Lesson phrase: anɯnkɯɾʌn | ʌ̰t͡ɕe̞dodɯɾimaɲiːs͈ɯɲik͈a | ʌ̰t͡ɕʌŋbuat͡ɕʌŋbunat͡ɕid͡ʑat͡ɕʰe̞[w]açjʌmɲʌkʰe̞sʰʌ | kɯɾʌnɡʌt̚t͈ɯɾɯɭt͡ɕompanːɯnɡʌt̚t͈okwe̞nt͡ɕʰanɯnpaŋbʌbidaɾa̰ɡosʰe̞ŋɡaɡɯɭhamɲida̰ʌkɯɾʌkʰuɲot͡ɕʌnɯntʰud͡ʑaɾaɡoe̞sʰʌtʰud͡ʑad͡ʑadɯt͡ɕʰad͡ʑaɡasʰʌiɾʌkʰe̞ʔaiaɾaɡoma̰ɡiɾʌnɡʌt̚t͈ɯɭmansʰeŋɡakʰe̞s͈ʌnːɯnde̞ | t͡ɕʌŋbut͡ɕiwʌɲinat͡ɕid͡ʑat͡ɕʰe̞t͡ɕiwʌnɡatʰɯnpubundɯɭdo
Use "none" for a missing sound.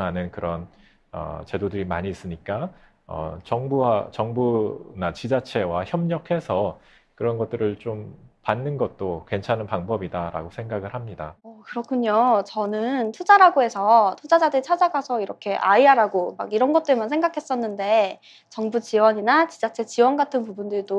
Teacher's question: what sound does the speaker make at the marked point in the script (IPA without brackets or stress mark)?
w